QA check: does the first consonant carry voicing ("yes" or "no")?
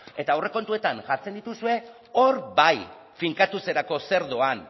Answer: no